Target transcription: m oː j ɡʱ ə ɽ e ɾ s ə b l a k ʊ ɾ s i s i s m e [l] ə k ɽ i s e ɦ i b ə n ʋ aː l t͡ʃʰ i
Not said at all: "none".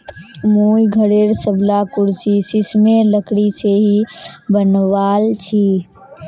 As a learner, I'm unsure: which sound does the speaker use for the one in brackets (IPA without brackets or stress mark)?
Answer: l